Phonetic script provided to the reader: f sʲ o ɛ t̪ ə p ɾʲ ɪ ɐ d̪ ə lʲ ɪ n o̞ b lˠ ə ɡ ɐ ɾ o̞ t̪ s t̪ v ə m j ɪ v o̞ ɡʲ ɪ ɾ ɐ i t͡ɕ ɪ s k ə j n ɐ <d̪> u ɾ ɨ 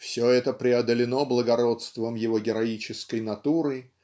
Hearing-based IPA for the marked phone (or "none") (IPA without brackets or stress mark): t̪